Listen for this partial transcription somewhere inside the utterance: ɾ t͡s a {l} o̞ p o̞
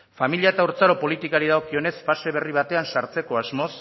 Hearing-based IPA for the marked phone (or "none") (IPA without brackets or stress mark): ɾ